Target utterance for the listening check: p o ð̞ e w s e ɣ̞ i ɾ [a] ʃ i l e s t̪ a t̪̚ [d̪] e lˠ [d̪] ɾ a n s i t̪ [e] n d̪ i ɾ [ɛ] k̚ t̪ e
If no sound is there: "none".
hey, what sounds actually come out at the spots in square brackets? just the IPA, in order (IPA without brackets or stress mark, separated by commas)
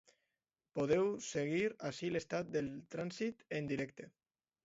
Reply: a, d̪, t̪, e, ɛ